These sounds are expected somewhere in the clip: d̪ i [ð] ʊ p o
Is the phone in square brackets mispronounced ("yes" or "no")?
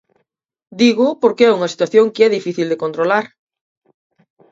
yes